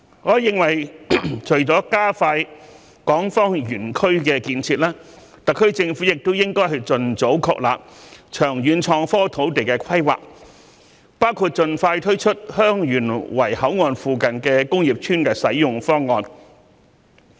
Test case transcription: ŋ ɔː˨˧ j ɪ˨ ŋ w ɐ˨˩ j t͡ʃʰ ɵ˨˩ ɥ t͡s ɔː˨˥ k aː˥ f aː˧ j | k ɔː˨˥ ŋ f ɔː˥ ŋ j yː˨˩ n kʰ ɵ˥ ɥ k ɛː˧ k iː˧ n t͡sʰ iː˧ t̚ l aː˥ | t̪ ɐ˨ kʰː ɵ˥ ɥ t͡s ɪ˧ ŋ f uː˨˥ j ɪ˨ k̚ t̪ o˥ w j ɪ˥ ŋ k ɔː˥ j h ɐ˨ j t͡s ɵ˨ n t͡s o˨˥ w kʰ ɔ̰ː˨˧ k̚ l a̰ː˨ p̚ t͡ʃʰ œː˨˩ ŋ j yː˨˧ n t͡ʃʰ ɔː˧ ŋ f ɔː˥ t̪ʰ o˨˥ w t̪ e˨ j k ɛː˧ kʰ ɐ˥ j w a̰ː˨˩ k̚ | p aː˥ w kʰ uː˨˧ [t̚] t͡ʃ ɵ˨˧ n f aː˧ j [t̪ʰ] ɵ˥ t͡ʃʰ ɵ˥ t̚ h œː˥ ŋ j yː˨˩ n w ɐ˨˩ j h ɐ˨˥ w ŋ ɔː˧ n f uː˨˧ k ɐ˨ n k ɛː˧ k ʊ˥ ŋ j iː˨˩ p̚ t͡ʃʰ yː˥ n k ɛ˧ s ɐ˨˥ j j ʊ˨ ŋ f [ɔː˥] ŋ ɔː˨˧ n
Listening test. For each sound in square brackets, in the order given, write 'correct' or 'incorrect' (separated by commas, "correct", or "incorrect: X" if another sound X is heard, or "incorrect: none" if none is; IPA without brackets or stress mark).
correct, correct, correct